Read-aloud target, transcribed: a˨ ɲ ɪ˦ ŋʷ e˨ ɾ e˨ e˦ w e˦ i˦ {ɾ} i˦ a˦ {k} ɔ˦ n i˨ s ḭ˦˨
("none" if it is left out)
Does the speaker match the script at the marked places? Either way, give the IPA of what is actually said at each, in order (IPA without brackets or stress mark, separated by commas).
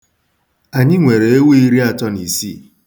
ɾ, t